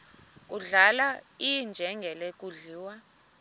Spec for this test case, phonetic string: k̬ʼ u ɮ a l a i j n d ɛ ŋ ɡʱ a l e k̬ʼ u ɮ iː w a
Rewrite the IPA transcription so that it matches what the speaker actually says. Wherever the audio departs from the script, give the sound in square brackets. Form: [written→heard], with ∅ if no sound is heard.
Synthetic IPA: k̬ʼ u ɮ a l a i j n [d→d͡ʒʱ] ɛ ŋ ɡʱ [a→ɛ] l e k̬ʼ u ɮ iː w a